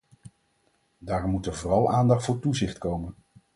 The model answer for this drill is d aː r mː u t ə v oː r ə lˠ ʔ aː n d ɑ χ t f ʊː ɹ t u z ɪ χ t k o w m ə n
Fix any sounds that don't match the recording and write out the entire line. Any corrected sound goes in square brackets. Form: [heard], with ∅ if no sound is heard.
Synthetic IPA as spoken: d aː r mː u t ə v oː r [ɑ] lˠ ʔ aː n d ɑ χ t f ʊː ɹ t u z ɪ χ t k o w m ə n